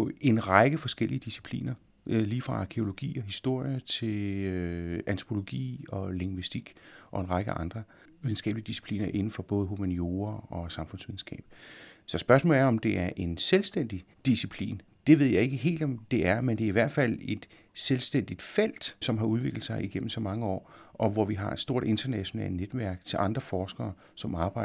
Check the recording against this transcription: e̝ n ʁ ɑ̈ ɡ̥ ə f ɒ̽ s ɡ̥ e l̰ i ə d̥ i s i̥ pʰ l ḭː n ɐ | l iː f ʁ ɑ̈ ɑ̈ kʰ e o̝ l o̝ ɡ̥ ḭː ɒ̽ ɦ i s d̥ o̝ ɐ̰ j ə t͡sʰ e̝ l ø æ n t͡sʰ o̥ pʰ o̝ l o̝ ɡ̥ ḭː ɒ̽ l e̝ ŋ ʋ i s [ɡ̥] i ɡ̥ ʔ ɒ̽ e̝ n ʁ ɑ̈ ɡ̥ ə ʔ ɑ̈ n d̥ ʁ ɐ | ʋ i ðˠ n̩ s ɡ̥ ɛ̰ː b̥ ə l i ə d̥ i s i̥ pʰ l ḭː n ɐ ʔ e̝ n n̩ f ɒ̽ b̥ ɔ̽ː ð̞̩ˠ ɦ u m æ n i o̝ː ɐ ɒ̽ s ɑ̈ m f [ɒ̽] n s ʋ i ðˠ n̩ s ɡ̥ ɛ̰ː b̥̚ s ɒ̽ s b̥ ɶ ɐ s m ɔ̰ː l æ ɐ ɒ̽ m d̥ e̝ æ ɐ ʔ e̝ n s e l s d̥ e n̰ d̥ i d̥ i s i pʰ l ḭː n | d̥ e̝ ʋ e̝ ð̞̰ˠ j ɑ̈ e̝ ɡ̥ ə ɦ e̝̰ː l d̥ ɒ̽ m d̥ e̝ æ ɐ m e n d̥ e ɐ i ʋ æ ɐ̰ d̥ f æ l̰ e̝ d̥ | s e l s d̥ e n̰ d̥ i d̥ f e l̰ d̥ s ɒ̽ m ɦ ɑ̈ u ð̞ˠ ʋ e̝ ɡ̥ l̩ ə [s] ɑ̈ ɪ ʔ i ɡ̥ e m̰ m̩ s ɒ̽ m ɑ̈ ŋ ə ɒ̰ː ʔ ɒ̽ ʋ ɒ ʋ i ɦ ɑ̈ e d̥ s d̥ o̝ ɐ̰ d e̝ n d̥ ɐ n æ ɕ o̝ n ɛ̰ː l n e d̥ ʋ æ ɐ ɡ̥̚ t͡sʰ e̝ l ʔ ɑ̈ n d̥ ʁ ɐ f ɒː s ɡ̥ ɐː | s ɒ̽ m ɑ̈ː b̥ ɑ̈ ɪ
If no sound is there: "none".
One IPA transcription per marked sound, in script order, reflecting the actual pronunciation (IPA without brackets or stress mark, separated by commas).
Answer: d̥, ɔ̽, s